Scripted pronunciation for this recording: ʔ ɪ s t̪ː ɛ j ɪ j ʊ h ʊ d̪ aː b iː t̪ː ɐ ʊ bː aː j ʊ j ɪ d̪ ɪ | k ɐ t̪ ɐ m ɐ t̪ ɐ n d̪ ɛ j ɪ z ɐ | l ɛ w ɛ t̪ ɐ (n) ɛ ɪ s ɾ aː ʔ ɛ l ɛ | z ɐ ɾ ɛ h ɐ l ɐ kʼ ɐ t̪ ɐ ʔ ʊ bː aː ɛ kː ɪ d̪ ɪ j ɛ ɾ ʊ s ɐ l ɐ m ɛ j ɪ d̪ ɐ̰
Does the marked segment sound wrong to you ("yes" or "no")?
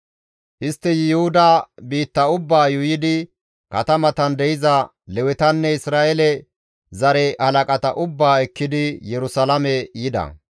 yes